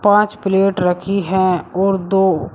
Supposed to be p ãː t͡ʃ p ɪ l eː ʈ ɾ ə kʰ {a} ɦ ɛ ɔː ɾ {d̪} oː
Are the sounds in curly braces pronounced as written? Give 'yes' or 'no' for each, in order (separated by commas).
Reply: no, yes